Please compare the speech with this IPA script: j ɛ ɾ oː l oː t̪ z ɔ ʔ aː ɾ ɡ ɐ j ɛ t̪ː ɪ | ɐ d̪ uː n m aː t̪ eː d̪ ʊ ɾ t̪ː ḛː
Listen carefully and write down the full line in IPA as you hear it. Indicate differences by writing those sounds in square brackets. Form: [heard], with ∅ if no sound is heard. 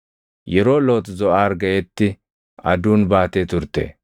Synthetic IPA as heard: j ɛ ɾ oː l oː t̪ z ɔ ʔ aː ɾ ɡ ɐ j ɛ t̪ː ɪ | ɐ d̪ uː n [b] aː t̪ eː [t̪] ʊ ɾ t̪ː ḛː